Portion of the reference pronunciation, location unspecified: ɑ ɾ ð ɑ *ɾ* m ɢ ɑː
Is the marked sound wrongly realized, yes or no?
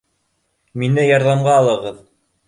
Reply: yes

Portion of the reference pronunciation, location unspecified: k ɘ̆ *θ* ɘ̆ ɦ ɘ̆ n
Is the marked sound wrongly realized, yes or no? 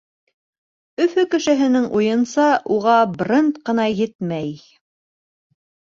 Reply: yes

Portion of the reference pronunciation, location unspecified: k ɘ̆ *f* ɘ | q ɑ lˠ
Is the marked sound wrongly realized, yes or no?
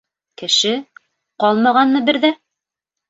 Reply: yes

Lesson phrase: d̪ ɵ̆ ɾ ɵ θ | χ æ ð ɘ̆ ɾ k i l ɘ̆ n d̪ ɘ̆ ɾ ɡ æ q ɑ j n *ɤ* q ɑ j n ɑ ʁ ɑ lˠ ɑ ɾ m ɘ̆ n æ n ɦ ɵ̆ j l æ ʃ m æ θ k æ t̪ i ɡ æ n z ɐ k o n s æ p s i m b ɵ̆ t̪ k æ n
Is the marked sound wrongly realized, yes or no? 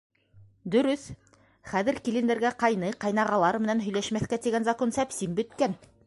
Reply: no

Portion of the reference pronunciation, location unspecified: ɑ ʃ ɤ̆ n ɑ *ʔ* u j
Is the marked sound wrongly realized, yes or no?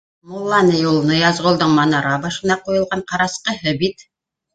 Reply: yes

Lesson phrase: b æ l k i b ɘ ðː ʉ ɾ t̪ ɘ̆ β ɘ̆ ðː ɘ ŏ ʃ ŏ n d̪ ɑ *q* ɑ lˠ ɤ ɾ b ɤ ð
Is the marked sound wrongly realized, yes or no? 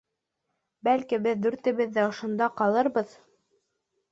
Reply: no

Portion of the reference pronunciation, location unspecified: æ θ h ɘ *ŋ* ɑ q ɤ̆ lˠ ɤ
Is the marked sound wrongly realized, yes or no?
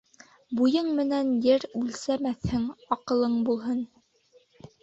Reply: no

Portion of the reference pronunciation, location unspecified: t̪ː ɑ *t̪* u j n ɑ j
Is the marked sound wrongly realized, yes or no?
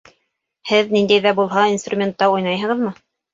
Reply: yes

